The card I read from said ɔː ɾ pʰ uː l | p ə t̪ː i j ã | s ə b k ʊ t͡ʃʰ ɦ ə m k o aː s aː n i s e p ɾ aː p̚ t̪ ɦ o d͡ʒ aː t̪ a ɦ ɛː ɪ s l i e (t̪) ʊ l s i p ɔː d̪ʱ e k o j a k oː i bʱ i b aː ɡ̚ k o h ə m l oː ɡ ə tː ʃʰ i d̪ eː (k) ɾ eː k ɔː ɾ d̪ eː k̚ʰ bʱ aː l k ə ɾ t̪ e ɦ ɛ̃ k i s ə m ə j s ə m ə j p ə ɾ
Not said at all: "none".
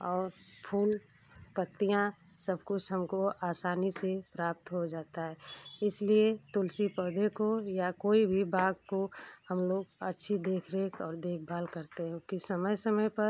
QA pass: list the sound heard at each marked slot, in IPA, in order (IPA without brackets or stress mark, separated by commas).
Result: t̪, kʰ